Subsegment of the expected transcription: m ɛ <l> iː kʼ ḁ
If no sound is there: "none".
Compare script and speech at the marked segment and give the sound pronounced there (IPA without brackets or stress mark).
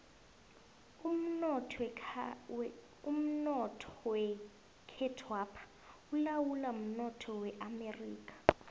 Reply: r